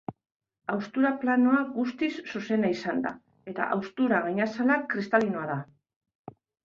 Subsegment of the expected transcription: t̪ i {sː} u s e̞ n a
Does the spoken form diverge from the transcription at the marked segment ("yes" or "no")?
no